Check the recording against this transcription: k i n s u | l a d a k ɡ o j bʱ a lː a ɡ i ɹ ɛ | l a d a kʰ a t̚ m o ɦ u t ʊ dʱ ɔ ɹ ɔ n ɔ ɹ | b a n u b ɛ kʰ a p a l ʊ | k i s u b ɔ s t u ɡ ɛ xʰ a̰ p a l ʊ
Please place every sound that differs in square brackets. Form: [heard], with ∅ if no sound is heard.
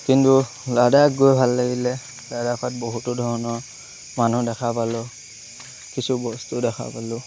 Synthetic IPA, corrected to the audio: k i n [t] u | l a d a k ɡ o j bʱ a lː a ɡ i [l] ɛ | l a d a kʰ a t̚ [b] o ɦ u t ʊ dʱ ɔ ɹ ɔ n ɔ ɹ | [m] a n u [d] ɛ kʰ a p a l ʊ | k i s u b ɔ s t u [d] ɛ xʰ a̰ p a l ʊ